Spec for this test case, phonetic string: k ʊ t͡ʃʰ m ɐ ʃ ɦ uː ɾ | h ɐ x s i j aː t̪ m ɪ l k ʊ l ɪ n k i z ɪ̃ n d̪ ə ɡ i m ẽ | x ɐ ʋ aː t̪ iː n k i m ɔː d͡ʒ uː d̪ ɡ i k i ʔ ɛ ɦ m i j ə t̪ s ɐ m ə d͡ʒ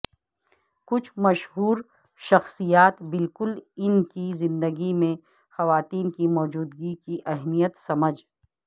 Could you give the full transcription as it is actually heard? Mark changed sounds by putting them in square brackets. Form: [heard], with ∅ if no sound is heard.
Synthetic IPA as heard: k ʊ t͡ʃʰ m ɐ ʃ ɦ uː ɾ | [ʃ] ɐ x s i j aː t̪ [b] ɪ l k ʊ l ɪ n k i z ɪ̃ n d̪ ə ɡ i m ẽ | x ɐ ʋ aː t̪ iː n k i m ɔː d͡ʒ uː d̪ ɡ i k i ʔ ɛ ɦ m i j ə t̪ s ɐ m ə d͡ʒ